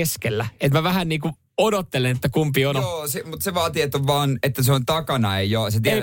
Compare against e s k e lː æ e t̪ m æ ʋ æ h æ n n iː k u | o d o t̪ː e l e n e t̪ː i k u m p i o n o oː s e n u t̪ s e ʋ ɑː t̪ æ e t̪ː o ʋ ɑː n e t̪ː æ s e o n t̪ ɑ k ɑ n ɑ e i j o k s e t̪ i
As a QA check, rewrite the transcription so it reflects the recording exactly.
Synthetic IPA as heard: e s k e lː æ e t̪ m æ ʋ æ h æ n n iː k u | o d o t̪ː e l e n e t̪ː æ k u m p i o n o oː s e m u t̪ s e ʋ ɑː t̪ i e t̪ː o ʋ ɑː n e t̪ː æ s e o n t̪ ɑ k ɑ n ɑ e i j o s e t̪ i